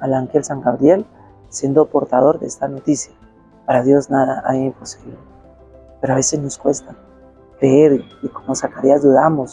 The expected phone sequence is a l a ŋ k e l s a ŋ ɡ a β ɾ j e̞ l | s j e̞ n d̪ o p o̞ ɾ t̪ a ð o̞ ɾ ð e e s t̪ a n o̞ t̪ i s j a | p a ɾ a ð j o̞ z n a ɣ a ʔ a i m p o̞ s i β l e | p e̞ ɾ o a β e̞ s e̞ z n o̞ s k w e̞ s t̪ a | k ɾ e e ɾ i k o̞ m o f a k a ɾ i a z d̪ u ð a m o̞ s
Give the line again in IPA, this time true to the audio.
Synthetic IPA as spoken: a l a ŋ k e l s a ŋ ɡ a β ɾ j e̞ l | s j e̞ n d̪ o p o̞ ɾ t̪ a ð o̞ ɾ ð e e s t̪ a n o̞ t̪ i s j a | p a ɾ a ð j o̞ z n a ð a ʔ a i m p o̞ s i β l e | p e̞ ɾ o a β e̞ s e̞ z n o̞ s k w e̞ s t̪ a | k ɾ e e ɾ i k o̞ m o s a k a ɾ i a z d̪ u ð a m o̞ s